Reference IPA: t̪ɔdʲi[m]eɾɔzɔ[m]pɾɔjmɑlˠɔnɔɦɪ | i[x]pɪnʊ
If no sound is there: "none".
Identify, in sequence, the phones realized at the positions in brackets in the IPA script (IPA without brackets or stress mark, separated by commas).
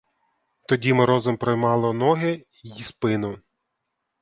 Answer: m, m, s